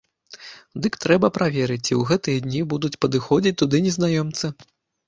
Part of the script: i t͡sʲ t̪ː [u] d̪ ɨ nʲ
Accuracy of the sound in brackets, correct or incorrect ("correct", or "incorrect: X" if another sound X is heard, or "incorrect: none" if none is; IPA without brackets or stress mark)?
correct